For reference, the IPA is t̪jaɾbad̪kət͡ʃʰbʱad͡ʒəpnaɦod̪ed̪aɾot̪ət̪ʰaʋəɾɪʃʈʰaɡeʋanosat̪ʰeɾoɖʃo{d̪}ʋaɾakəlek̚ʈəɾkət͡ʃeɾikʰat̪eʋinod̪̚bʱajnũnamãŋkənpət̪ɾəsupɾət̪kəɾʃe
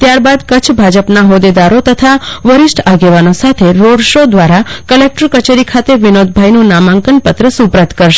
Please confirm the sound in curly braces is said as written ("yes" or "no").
yes